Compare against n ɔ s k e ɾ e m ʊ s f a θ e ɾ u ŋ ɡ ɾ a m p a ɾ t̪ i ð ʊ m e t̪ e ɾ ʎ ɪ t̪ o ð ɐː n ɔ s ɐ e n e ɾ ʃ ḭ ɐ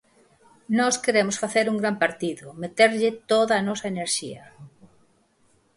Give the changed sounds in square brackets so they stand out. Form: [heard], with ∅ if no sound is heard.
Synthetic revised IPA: n ɔ s k e ɾ e m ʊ s f a θ e ɾ u ŋ ɡ ɾ a m p a ɾ t̪ i ð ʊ m e t̪ e ɾ ʎ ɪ t̪ o ð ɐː n ɔ s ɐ e n e ɾ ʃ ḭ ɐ